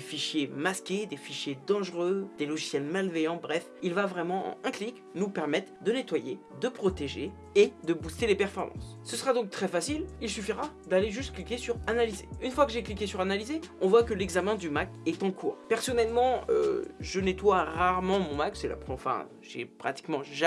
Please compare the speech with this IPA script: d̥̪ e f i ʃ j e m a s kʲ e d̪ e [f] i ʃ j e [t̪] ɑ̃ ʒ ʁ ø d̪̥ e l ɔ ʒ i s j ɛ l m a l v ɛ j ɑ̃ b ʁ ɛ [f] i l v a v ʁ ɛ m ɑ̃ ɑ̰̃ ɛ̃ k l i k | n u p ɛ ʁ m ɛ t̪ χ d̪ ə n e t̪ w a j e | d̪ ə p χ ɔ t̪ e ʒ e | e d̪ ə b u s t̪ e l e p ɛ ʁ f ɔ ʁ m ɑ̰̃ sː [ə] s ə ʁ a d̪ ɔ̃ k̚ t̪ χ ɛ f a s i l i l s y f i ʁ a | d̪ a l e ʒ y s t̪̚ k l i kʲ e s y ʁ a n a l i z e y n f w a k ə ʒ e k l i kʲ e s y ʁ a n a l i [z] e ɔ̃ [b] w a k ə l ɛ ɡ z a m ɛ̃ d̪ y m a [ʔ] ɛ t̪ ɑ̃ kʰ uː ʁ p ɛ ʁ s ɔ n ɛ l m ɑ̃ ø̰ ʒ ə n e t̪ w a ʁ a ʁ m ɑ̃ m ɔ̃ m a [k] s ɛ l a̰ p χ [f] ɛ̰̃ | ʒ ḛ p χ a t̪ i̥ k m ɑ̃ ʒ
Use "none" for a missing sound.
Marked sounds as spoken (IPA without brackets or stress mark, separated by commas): f, d̪, f, ə, z, v, k, k, f